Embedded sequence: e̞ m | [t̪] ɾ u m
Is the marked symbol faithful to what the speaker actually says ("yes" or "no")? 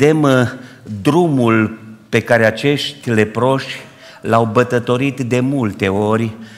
no